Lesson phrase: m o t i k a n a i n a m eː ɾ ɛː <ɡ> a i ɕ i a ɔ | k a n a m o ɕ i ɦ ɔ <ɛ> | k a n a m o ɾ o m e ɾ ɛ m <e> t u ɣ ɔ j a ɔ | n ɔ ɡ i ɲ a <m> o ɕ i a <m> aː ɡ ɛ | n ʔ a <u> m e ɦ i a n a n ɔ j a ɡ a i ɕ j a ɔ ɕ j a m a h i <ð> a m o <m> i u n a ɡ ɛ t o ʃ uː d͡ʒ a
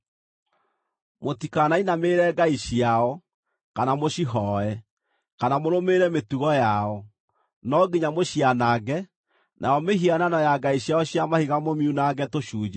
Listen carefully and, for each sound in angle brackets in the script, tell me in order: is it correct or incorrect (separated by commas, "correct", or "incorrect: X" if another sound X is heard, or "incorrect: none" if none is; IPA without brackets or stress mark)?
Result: correct, correct, correct, correct, incorrect: n, incorrect: ɔ, incorrect: ɣ, correct